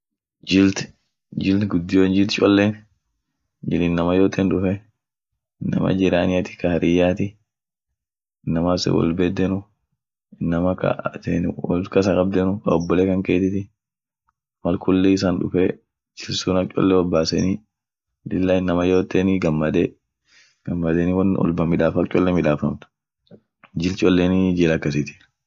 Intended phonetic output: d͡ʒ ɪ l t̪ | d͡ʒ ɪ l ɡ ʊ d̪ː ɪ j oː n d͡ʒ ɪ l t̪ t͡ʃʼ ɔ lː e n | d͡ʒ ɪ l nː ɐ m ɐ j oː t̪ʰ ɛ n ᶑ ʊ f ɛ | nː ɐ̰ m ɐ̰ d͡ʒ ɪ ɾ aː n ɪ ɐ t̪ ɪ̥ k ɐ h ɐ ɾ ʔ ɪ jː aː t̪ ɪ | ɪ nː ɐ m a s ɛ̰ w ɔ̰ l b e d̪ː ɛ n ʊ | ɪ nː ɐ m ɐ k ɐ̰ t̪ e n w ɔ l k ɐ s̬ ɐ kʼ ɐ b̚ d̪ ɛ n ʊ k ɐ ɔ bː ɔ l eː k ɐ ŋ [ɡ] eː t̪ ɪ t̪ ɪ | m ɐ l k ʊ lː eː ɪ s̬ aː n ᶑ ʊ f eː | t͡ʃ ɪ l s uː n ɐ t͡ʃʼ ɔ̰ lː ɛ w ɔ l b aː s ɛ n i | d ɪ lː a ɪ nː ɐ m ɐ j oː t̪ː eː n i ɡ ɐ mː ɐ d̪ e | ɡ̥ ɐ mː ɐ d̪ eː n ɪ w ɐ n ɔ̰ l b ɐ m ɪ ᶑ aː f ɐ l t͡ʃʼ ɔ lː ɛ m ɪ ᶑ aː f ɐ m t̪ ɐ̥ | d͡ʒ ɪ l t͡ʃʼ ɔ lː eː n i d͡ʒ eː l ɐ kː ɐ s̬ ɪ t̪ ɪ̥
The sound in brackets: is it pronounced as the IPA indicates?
no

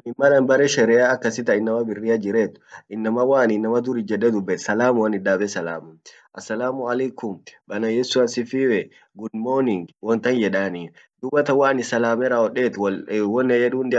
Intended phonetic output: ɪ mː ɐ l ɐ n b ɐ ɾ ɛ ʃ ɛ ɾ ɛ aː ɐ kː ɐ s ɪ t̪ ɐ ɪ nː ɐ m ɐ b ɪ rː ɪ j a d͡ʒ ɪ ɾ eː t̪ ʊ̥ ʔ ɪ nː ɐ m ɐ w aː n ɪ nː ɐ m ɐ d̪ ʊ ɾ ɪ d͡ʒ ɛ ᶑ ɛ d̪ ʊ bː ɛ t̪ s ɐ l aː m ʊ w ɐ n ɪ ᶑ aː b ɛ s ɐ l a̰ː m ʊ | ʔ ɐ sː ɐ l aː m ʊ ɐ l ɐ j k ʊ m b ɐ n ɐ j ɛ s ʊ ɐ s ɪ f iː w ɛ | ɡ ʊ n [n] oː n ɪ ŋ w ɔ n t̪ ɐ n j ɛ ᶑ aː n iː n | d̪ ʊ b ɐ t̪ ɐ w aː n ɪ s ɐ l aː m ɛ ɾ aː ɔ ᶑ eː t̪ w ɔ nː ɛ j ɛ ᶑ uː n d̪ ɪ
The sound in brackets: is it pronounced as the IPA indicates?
no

